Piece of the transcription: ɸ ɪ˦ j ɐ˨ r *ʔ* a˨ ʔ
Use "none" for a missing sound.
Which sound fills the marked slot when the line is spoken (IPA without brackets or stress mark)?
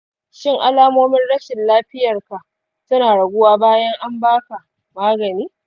k